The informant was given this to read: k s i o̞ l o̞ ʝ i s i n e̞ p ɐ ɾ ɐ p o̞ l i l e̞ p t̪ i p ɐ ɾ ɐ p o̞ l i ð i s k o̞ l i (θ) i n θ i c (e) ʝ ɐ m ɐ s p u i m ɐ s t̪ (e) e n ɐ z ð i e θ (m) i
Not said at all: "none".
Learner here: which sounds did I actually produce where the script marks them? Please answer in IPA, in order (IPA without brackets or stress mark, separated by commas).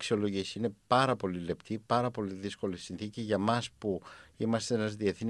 s, i, e, n